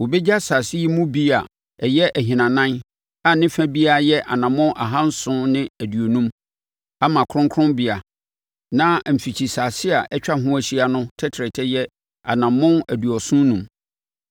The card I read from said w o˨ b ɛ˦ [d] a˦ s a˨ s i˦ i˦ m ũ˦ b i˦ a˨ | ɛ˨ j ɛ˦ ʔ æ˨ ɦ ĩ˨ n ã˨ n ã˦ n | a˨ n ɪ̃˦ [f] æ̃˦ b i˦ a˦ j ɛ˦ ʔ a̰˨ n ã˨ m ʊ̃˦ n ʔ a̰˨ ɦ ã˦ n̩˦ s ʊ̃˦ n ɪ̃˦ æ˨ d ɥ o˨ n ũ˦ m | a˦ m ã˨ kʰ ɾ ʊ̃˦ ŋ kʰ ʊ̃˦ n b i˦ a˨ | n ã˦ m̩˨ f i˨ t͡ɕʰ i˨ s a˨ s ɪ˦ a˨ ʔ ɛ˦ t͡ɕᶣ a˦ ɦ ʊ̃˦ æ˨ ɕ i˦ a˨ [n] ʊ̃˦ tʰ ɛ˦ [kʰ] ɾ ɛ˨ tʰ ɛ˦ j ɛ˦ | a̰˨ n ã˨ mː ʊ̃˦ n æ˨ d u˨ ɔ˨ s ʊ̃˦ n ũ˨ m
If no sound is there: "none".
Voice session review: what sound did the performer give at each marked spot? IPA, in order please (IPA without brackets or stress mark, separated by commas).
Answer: d͡ʑ, f, n, tʰ